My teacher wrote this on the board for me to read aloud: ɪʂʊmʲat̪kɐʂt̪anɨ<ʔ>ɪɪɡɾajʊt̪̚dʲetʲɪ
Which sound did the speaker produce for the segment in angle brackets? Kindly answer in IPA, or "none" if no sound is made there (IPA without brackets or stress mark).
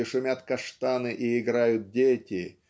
ʔ